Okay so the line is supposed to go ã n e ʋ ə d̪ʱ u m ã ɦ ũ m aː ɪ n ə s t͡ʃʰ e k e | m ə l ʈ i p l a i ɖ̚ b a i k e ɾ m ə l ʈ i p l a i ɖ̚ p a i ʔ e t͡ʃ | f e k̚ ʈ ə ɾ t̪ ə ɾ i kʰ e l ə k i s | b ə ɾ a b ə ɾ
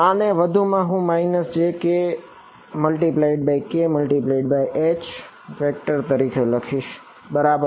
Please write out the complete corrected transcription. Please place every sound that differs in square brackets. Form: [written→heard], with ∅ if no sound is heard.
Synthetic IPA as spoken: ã n e ʋ ə d̪ʱ u m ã ɦ ũ m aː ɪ n ə s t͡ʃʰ e k e | m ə l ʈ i p l a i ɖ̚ b a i k e [ɾ→∅] m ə l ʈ i p l a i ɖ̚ [p→b] a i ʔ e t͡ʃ | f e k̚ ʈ ə ɾ t̪ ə ɾ i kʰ e l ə [k→kʰ] i [s→ʃ] | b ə ɾ a b ə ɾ